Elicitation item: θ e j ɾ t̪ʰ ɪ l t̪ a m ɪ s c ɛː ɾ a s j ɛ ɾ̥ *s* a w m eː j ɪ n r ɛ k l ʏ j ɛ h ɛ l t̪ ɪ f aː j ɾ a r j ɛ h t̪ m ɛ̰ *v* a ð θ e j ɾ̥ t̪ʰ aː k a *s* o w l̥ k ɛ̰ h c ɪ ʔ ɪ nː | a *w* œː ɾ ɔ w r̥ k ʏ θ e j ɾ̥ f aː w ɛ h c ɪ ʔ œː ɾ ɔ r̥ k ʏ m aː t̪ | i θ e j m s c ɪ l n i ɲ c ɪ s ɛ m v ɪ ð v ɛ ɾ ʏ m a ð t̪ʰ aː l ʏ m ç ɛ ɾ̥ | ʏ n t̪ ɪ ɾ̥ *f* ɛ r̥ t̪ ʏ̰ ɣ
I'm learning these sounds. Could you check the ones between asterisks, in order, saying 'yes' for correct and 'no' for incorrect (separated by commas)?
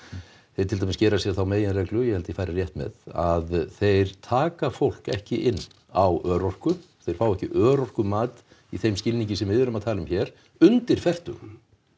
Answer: no, no, no, yes, yes